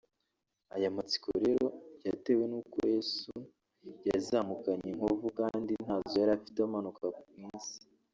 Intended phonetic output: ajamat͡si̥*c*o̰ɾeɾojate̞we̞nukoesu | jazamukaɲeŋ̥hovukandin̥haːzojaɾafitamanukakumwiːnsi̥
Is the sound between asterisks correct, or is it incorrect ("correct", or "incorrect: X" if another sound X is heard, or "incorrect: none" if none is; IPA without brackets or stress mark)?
incorrect: k